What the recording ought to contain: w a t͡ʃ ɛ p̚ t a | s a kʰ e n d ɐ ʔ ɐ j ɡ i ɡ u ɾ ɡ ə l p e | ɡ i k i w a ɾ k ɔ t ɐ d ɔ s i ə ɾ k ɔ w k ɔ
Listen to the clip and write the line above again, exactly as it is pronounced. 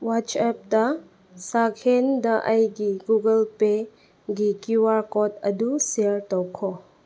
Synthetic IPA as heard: w a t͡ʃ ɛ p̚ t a | s a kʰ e n d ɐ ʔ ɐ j ɡ i ɡ u ɡ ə l p e | ɡ i k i w a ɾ k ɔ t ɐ d u s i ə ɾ t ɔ w kʰ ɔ